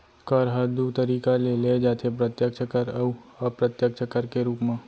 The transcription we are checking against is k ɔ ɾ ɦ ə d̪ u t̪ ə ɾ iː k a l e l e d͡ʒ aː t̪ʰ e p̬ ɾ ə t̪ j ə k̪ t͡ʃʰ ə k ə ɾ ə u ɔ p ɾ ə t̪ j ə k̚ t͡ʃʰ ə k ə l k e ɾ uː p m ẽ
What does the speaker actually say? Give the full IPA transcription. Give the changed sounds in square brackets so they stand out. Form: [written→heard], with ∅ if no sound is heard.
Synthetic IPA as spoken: k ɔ ɾ ɦ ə d̪ u t̪ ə ɾ iː k a l e l e d͡ʒ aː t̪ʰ e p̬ ɾ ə t̪ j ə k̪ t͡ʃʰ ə k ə ɾ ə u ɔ p ɾ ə t̪ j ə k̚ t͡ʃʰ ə k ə [l→ɾ] k e ɾ uː p m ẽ